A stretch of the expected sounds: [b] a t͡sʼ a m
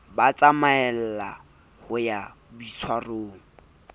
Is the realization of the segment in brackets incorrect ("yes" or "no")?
no